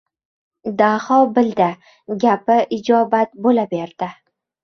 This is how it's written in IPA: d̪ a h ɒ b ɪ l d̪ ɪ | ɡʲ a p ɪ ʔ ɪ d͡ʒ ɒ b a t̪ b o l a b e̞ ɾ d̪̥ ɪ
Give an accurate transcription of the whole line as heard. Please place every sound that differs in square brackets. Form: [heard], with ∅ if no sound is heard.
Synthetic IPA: d̪ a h ɒ b ɪ l d̪ ɪ | ɡʲ a p ɪ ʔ ɪ d͡ʒ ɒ b a t̪ b o l a b e̞ ɾ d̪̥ ɪ